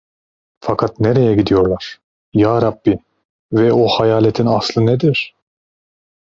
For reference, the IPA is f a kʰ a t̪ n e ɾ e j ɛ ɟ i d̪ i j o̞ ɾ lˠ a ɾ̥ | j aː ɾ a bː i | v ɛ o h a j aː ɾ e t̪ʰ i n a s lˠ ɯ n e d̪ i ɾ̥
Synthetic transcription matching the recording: f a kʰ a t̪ n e ɾ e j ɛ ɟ i d̪ i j o̞ ɾ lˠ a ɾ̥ | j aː ɾ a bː i | v ɛ o h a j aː l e t̪ʰ i n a s lˠ ɯ n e d̪ i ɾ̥